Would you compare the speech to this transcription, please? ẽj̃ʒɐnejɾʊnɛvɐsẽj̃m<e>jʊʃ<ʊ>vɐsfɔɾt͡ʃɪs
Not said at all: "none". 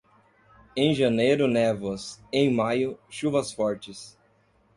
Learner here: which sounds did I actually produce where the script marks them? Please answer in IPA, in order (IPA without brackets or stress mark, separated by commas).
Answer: a, u